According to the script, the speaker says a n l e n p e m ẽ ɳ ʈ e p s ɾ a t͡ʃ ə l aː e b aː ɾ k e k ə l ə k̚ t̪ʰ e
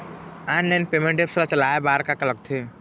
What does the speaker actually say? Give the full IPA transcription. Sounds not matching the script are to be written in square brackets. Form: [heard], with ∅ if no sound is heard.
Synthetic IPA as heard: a n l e n p e m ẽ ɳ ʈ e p s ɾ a t͡ʃ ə l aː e b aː ɾ k [a] k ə l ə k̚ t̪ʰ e